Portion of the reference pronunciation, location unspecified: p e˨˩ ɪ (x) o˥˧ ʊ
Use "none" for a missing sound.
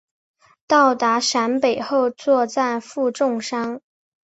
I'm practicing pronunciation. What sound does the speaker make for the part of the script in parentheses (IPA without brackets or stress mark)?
x